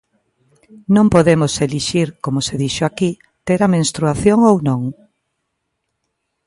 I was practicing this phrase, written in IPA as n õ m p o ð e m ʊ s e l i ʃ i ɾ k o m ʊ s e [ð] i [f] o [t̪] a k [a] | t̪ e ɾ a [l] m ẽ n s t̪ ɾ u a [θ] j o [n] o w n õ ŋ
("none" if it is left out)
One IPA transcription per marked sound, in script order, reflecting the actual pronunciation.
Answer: ð, ʃ, none, i, none, θ, ŋ

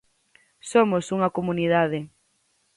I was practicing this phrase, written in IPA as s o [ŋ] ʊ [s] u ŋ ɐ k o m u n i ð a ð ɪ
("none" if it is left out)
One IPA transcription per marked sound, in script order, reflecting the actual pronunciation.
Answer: m, s

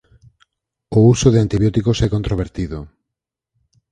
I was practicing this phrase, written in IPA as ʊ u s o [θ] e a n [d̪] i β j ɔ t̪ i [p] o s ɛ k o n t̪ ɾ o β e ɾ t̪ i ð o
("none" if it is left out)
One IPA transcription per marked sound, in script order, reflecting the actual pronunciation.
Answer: ð, t̪, k

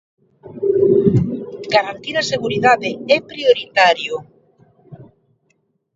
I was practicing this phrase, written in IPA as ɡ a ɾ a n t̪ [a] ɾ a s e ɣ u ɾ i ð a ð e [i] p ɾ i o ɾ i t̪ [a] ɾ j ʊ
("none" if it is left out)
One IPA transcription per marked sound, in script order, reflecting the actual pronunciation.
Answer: i, ɛ, a

